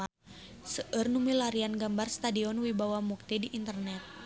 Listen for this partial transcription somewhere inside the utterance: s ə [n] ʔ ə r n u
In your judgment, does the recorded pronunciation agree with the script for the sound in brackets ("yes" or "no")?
no